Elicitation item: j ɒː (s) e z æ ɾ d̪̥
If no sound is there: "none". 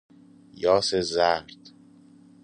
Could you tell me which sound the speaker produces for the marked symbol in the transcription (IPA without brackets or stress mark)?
s